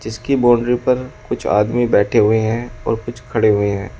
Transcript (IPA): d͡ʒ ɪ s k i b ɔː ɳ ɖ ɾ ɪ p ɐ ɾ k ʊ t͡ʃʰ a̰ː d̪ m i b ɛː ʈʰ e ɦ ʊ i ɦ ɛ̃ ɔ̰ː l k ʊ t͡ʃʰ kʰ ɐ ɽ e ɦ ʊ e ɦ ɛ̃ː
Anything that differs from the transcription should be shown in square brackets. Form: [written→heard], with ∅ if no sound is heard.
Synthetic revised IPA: d͡ʒ ɪ s k i b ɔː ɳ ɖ ɾ [ɪ→i] p ɐ ɾ k ʊ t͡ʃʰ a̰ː d̪ m i b ɛː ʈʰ e ɦ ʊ [i→e] ɦ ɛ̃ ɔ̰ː [l→ɾ] k ʊ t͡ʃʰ kʰ ɐ ɽ e ɦ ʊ e ɦ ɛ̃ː